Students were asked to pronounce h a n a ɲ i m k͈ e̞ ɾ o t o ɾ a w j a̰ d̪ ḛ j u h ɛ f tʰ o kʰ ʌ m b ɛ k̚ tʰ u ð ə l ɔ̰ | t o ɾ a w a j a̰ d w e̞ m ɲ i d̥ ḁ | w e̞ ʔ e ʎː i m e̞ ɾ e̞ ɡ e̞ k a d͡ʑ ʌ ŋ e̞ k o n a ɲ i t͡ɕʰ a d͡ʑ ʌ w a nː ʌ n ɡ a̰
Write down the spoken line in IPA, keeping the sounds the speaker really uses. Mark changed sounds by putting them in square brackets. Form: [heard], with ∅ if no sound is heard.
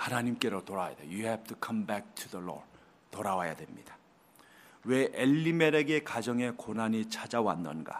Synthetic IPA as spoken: h a n a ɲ i m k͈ e̞ ɾ o t o ɾ a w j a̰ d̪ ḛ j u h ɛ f tʰ [u] kʰ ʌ m b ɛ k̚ tʰ u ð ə l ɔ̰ | t o ɾ a w a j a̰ d w e̞ m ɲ i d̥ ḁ | w e̞ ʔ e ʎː i m e̞ ɾ e̞ ɡ e̞ k a d͡ʑ ʌ ŋ e̞ k o n a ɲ i t͡ɕʰ a d͡ʑ [a] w a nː ʌ n ɡ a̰